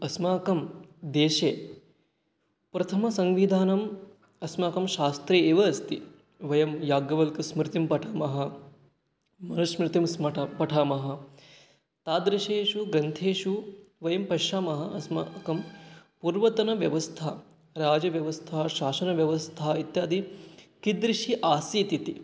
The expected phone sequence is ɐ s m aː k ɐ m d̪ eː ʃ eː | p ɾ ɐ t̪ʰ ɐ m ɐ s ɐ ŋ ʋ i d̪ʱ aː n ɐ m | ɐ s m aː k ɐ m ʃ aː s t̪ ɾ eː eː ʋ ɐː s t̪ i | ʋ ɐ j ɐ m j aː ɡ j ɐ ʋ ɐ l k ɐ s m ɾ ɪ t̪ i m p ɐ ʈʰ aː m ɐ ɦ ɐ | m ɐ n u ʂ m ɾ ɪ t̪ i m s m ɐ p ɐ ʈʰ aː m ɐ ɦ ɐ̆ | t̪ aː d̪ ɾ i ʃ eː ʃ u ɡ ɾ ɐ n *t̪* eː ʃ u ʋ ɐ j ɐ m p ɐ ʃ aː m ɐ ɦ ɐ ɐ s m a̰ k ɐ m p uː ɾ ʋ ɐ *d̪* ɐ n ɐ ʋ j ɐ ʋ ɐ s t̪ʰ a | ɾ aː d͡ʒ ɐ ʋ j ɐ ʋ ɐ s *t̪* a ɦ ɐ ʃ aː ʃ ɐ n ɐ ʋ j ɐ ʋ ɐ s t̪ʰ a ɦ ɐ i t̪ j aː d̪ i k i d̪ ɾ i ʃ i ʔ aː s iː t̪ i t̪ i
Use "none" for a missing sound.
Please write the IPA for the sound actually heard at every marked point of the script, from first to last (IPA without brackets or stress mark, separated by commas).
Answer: t̪ʰ, t̪, t̪ʰ